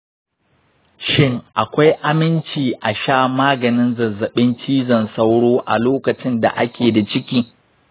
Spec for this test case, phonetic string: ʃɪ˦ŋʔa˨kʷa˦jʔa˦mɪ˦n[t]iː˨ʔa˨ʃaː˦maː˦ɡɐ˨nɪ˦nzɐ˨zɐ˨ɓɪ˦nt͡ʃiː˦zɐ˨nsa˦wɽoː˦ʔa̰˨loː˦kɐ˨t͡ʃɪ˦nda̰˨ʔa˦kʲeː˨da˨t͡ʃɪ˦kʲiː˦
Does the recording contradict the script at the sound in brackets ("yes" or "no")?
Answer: yes